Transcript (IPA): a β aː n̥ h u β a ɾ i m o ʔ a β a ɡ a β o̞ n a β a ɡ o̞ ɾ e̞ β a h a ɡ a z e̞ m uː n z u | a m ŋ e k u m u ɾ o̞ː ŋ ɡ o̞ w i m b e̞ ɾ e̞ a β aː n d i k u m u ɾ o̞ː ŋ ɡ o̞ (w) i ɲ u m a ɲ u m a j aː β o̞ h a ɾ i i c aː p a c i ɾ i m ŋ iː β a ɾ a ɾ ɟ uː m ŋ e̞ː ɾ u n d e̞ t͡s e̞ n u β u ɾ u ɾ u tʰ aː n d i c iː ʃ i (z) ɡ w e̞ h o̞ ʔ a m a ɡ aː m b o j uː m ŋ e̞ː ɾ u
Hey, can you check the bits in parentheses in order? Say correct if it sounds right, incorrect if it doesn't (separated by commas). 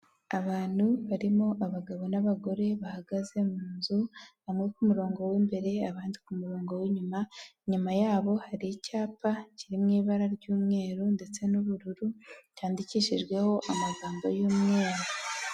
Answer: correct, incorrect